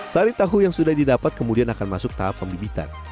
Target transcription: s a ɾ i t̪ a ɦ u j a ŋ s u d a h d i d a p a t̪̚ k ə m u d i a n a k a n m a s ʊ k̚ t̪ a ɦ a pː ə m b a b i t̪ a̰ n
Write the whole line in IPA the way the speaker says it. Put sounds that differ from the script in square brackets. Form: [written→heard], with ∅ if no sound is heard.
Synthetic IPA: s a ɾ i t̪ a ɦ u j a ŋ s u d a h d i d a p a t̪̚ k ə m u d i a n a k a n m a s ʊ k̚ t̪ a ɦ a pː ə m b [a→i] b i t̪ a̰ n